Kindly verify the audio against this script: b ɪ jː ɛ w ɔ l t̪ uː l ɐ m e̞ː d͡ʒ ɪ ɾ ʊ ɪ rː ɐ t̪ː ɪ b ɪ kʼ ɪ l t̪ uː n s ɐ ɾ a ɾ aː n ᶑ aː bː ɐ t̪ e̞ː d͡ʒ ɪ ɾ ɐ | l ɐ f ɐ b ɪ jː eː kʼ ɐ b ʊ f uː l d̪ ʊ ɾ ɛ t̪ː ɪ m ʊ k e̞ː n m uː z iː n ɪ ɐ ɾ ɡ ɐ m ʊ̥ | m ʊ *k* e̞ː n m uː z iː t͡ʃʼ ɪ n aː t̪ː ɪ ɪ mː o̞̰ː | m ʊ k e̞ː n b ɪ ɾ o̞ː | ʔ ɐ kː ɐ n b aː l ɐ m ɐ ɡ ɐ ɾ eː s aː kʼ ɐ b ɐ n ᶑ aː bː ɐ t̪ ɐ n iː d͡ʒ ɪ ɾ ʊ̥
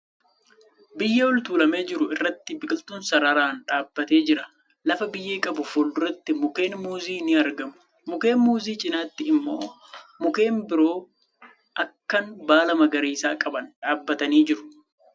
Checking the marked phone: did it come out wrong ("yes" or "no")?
no